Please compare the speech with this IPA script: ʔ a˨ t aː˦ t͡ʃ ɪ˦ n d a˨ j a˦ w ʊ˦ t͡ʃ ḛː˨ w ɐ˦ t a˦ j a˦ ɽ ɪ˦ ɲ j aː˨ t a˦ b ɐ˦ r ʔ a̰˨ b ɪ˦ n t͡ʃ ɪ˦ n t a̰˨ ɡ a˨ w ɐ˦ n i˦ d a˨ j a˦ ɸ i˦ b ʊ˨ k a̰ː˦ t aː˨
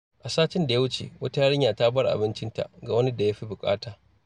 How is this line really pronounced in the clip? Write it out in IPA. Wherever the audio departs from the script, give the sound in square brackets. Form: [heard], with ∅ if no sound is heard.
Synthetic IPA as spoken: ʔ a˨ [s] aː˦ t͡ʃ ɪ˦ n d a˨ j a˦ w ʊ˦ t͡ʃ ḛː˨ w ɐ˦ t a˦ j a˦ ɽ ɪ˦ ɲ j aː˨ t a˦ b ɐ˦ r ʔ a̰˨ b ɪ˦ n t͡ʃ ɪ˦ n t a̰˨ ɡ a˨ w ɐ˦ n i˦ d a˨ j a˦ ɸ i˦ b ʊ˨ [kʼ] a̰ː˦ t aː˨